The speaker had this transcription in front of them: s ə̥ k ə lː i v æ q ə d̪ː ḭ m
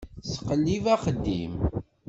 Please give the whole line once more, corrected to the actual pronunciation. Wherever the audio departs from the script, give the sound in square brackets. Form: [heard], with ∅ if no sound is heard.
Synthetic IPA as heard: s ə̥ [q] ə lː i v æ q ə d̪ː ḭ m